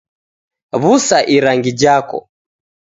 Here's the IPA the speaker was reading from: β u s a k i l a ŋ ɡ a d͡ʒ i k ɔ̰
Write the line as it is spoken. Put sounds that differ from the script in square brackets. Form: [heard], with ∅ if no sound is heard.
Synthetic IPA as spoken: β u s a [ʔ] i [ɾ] a ŋ ɡ [i] d͡ʒ [a] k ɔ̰